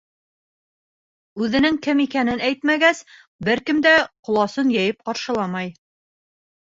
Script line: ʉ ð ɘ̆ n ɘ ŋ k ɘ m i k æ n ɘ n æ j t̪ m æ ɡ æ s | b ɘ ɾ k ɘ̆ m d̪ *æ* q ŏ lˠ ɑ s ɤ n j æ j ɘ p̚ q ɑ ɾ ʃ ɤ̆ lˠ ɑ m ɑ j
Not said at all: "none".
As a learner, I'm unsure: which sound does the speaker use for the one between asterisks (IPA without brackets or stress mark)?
æ